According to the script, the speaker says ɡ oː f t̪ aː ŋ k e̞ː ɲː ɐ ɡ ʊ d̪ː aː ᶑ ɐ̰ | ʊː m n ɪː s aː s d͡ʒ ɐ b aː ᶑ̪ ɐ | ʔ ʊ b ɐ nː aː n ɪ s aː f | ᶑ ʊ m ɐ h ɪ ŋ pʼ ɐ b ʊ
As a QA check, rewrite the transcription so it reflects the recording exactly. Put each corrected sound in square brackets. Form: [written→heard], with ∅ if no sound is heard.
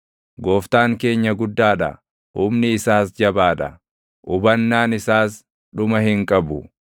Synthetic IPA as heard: ɡ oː f t̪ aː ŋ k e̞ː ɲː ɐ ɡ ʊ d̪ː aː ᶑ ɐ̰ | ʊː m n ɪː s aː s d͡ʒ ɐ b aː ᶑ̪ ɐ | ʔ ʊ b ɐ nː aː n ɪ s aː [f→s] | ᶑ ʊ m ɐ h ɪ ŋ [pʼ→kʼ] ɐ b ʊ